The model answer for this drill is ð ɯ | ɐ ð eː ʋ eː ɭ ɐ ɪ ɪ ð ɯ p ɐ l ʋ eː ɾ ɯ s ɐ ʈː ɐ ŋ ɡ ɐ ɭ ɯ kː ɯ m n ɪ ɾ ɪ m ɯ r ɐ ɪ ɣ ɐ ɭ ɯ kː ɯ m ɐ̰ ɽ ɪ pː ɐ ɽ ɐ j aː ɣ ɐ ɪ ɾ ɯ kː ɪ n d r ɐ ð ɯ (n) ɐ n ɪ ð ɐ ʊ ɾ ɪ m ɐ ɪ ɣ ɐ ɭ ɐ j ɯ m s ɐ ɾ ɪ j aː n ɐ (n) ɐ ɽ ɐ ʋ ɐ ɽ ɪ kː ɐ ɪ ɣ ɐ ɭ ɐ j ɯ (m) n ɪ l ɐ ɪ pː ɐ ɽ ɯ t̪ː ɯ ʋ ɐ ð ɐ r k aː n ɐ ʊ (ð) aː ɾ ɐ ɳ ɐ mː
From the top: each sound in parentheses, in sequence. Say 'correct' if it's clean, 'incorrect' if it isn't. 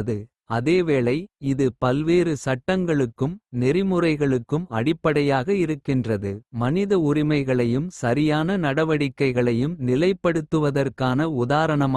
incorrect, correct, correct, correct

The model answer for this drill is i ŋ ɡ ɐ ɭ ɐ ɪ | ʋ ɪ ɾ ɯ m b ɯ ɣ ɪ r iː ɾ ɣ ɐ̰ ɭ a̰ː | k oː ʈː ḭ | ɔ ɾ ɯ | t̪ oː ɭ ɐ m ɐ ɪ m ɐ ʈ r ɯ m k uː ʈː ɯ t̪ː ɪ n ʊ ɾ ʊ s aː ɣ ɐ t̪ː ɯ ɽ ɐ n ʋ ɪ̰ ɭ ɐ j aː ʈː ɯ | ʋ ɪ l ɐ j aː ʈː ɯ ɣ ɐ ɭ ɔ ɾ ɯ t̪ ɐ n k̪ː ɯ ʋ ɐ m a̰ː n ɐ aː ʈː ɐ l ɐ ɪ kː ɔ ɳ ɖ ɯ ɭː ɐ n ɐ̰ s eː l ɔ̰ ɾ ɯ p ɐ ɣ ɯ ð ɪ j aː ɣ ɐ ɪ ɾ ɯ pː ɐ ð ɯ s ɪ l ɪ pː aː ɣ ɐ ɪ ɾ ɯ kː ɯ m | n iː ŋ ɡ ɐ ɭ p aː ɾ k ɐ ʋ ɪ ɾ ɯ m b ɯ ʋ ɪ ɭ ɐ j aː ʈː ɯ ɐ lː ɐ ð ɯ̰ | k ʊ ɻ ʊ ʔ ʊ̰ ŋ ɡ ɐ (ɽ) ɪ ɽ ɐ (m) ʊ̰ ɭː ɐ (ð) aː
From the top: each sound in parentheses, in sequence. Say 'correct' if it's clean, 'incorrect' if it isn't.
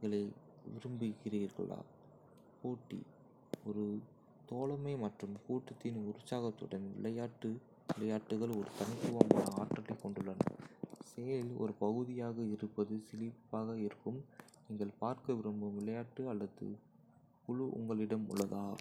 incorrect, correct, correct

